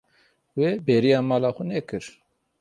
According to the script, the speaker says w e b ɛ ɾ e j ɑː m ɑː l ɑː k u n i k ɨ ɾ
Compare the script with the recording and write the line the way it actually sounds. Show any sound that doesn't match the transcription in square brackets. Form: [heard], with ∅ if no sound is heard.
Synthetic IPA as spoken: w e b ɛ ɾ [i] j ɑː m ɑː l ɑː [x] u n [ɛ] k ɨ ɾ

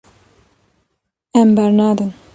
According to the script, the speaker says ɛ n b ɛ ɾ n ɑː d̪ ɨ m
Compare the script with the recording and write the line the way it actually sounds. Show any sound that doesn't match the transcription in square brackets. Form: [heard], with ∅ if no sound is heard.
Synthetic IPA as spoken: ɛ [m] b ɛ ɾ n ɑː d̪ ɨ [n]

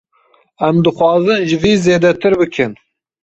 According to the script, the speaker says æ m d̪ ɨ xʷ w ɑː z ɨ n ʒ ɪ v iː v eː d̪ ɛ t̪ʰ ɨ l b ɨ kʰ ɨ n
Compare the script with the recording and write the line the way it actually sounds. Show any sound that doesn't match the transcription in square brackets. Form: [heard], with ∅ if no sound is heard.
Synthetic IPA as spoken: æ m d̪ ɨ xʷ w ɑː z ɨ n ʒ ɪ v iː [z] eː d̪ ɛ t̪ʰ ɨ [ɾ] b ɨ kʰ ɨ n

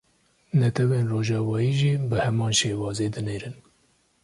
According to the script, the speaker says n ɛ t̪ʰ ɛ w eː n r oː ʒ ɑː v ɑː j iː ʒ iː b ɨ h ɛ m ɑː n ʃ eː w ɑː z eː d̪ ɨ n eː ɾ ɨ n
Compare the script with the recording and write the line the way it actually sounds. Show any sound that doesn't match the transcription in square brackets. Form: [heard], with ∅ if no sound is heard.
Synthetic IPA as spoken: n ɛ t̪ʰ ɛ w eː n r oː ʒ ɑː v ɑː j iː ʒ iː b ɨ h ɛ m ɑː n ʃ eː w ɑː z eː d̪ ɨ n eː ɾ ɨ n

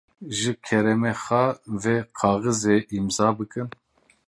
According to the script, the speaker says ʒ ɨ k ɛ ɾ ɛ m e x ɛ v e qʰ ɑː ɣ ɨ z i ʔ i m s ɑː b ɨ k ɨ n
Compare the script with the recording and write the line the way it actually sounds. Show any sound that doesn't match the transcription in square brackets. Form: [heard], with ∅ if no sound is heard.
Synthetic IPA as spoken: ʒ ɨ [kʰ] ɛ ɾ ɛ m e x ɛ v e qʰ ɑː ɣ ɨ z [e] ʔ i m [z] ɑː b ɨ k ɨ n

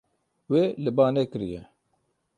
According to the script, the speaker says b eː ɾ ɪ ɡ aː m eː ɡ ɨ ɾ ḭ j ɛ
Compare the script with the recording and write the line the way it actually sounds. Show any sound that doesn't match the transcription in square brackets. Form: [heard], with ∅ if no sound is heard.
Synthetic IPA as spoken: [w] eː [l] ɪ [b] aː [n] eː [k] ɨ ɾ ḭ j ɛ

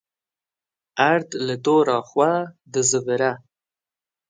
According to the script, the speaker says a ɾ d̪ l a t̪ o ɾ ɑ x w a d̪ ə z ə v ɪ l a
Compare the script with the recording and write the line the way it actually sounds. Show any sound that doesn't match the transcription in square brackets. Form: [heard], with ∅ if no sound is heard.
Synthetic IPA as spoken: a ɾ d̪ l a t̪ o ɾ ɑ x w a d̪ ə z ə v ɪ [ɾ] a

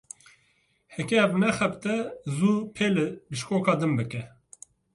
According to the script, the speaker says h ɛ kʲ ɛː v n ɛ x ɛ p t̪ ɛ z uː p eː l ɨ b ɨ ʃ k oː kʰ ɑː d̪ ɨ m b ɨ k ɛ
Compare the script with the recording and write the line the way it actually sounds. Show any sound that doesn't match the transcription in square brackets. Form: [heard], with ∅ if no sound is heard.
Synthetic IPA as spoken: h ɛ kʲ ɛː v n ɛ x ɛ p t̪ ɛ z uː [pʰ] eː l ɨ b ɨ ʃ k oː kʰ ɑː d̪ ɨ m b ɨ k ɛ

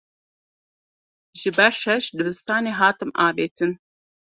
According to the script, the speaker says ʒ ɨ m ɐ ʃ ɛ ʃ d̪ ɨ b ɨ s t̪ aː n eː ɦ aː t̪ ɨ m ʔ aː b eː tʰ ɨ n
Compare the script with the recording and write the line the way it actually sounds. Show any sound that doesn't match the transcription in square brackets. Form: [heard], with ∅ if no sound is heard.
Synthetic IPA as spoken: ʒ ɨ [b] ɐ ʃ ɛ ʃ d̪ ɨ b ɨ s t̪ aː n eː ɦ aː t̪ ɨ m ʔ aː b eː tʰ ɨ n

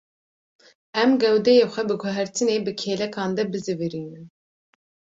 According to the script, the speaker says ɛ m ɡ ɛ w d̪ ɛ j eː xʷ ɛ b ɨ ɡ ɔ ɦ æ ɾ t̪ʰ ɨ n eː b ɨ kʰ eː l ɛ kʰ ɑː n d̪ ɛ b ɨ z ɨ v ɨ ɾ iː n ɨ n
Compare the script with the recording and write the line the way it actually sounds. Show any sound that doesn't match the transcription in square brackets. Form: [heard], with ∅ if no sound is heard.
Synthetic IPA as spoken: ɛ m ɡ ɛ w d̪ ɛ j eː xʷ ɛ b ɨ ɡ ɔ ɦ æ ɾ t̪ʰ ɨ n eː b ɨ kʰ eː l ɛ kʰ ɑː n d̪ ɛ b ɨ z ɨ v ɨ ɾ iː n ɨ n

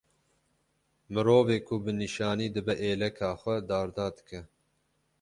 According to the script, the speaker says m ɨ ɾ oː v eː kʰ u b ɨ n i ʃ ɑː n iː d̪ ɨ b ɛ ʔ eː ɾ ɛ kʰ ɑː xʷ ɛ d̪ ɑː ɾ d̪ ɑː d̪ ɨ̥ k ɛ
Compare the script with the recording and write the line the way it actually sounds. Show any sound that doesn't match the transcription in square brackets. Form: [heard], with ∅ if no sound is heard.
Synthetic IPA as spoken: m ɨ ɾ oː v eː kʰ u b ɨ n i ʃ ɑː n iː d̪ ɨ b ɛ ʔ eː [l] ɛ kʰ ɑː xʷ ɛ d̪ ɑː ɾ d̪ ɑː d̪ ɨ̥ k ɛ

